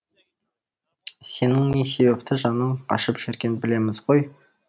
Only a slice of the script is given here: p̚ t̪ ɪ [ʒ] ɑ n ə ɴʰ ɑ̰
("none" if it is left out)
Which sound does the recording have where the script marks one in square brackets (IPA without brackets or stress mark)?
ʒ